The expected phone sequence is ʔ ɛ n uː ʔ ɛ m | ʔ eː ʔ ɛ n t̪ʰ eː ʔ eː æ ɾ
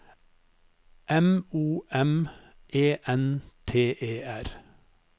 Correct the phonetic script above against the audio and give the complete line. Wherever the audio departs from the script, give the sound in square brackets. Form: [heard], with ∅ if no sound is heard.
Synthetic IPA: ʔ ɛ [m] uː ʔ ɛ m | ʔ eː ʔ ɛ n t̪ʰ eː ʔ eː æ ɾ